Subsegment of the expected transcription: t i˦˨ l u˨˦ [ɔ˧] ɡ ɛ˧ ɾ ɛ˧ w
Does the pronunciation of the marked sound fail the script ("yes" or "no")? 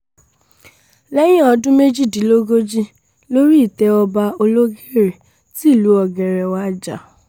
no